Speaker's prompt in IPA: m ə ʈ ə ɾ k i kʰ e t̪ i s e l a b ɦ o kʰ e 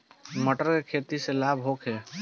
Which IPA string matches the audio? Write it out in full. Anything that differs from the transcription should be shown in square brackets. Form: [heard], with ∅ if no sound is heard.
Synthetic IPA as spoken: m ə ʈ ə ɾ k [e] kʰ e t̪ i s e l a b ɦ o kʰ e